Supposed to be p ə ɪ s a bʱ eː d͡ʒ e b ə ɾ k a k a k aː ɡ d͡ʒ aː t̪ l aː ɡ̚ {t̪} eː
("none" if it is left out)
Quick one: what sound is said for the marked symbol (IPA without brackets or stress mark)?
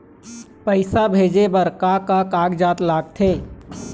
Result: t̪ʰ